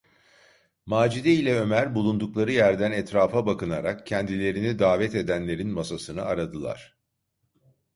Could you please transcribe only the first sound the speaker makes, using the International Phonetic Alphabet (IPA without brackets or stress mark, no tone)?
m